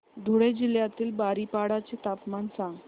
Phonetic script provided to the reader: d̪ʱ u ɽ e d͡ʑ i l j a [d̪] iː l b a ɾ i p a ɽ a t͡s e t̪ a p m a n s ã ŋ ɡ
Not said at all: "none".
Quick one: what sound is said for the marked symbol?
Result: t̪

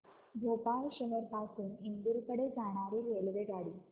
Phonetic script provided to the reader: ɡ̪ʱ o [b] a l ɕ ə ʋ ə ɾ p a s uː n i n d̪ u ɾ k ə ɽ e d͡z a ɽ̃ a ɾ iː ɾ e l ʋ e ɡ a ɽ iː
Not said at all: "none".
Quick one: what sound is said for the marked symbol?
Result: p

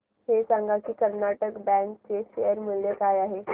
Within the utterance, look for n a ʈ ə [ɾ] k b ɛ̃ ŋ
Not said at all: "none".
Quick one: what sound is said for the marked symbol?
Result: none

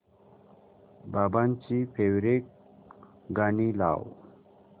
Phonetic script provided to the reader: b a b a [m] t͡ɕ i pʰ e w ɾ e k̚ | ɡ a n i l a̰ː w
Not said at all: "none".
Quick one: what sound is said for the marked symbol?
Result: n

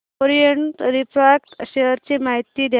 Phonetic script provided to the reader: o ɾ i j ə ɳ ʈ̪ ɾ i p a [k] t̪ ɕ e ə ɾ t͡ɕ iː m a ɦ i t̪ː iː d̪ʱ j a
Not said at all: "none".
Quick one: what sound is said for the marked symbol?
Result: k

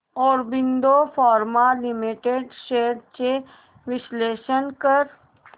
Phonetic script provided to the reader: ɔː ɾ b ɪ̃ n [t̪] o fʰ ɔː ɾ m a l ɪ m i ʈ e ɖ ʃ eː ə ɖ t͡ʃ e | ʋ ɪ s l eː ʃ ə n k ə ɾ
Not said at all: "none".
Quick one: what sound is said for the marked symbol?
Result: d̪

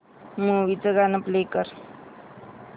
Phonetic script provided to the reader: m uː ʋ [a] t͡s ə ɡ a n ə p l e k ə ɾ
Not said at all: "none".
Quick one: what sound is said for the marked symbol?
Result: i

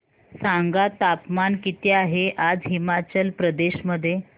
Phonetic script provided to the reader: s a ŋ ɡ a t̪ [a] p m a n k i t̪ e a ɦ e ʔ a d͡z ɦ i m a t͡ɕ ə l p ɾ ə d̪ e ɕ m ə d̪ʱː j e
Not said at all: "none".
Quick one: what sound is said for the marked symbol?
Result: a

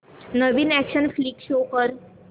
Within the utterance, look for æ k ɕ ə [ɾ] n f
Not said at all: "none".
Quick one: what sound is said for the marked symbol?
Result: none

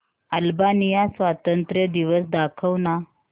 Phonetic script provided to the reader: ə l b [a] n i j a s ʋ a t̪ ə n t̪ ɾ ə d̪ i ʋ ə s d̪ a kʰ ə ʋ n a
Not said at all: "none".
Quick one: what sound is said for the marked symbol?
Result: a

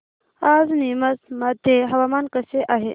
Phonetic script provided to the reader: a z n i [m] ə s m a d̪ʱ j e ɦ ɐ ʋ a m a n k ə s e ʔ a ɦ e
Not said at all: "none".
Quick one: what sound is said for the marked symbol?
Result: m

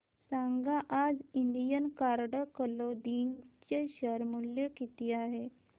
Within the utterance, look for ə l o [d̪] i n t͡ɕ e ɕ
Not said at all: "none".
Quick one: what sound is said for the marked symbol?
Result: d̪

